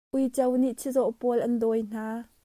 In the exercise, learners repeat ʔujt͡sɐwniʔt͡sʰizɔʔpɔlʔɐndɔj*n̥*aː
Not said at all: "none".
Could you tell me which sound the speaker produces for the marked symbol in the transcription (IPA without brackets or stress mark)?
n̥